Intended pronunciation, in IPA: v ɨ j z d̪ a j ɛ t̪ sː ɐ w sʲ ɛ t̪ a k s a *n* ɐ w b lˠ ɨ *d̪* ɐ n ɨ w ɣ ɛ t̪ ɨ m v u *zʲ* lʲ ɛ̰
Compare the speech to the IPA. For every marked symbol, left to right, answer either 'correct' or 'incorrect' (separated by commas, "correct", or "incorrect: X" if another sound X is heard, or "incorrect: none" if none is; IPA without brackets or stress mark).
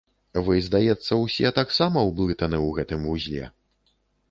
incorrect: m, incorrect: t̪, correct